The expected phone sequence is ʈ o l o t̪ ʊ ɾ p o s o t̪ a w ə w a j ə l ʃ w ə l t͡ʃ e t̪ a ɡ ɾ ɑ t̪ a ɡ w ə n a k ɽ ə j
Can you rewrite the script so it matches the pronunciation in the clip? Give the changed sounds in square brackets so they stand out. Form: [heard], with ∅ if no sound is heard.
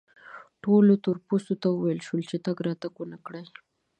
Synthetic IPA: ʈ o l o t̪ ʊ ɾ p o s o t̪ a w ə w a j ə l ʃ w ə l t͡ʃ e t̪ a ɡ ɾ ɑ t̪ a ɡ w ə n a k ɽ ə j

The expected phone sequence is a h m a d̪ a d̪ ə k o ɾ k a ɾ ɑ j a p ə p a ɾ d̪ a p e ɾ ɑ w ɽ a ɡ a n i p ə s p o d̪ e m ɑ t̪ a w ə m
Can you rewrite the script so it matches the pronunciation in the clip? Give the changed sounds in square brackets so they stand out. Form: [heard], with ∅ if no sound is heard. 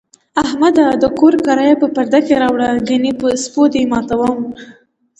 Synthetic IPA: a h m a d̪ a d̪ ə k o ɾ k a ɾ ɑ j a p ə p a ɾ d̪ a [k] e ɾ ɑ w ɽ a ɡ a n i p ə s p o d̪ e m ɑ t̪ a w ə m

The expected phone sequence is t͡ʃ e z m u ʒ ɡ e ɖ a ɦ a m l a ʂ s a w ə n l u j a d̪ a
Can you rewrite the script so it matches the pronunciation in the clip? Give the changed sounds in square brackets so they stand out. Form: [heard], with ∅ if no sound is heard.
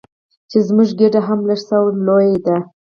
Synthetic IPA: t͡ʃ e z m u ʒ ɡ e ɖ a ɦ a m l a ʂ s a w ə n l [o] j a d̪ a

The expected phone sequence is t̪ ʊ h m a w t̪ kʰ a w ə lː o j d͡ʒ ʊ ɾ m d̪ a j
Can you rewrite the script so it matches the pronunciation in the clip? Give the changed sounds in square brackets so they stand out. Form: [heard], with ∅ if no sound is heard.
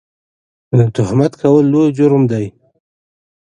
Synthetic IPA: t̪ ʊ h m a [∅] t̪ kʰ a w ə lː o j d͡ʒ ʊ ɾ m d̪ a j

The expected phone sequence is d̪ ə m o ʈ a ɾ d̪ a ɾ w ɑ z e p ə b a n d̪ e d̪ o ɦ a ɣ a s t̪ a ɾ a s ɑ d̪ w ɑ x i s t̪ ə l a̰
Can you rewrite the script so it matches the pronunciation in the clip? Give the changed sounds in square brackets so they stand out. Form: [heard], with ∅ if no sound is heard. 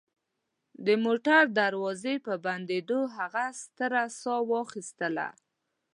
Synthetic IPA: d̪ ə m o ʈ a ɾ d̪ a ɾ w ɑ z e p ə b a n d̪ e d̪ o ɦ a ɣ a s t̪ [ə] ɾ a s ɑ [∅] w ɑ x i s t̪ ə l a̰

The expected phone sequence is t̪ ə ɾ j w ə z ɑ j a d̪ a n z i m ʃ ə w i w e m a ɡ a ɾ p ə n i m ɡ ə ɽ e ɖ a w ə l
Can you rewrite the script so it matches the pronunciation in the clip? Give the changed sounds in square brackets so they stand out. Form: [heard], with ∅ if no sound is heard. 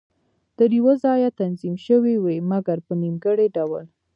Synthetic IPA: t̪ ə ɾ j w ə z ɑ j a [t̪] a n z i m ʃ ə w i w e m a ɡ a ɾ p ə n i m ɡ ə ɽ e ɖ a w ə l

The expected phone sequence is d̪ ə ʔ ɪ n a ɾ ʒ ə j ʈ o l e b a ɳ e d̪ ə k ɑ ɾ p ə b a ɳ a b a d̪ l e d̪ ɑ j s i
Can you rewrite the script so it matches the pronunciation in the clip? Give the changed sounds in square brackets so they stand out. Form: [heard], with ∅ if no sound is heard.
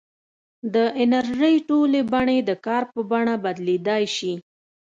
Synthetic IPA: d̪ ə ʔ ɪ n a ɾ ʒ ə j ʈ o l e b a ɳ e d̪ ə k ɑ ɾ p ə b a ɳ a b a d̪ l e d̪ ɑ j [ʃ] i

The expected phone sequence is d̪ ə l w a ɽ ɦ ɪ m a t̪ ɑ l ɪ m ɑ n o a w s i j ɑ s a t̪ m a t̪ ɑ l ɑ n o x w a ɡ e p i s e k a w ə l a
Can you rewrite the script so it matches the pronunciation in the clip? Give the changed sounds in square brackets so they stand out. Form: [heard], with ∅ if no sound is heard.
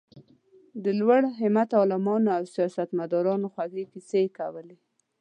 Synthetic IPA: d̪ ə l w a ɽ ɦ ɪ m a t̪ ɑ l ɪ m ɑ n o a w s i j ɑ s a t̪ m a [d̪] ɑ [ɾ] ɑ n o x w a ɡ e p i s e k a w ə l [e]

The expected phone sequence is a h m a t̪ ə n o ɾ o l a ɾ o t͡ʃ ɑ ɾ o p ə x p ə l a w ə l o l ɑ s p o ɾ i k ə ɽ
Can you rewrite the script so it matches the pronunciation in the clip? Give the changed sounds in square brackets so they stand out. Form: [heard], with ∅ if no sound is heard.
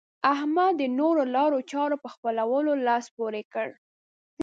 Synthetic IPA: a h m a [d̪] ə n o ɾ o l [ɑ] ɾ o t͡ʃ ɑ ɾ o p ə x p ə l a w ə l o l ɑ s p o ɾ [e] k ə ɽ

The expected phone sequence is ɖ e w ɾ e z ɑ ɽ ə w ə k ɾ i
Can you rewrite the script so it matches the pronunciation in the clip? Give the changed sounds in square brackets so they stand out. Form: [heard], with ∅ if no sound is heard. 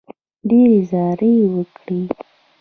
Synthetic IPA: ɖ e [∅] ɾ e z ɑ [ɾ] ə w ə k [ɽ] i

